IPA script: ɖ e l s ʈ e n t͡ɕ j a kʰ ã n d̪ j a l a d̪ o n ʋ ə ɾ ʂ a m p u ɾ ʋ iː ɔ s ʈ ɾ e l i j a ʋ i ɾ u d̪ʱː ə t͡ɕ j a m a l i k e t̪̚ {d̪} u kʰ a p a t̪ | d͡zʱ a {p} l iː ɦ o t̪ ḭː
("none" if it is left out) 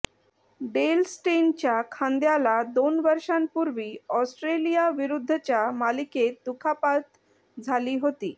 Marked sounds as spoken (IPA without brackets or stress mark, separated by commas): d̪, none